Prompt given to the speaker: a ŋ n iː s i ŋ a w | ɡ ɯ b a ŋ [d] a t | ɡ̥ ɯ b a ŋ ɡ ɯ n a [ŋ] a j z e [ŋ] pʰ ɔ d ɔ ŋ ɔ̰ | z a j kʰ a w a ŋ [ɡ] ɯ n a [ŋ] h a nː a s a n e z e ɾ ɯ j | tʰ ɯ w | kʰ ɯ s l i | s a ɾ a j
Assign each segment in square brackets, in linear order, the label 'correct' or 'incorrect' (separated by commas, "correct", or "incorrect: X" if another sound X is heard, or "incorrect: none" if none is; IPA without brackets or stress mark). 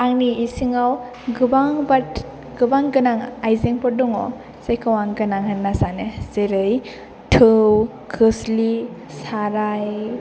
incorrect: b, correct, correct, correct, correct